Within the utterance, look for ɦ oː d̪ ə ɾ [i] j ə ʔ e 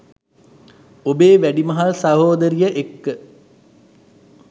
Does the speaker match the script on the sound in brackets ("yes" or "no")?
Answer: yes